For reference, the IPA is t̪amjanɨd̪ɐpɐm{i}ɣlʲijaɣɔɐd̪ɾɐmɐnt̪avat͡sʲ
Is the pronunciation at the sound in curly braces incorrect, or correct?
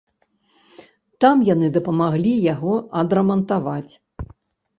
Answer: incorrect